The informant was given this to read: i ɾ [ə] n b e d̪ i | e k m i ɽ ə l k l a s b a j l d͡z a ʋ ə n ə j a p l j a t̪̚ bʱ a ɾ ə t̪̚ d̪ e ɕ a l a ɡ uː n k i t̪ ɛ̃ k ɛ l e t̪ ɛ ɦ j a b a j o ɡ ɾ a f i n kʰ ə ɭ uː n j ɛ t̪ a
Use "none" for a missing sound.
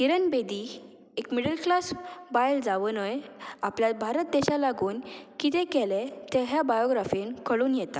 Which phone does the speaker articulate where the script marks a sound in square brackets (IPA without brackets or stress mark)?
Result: ə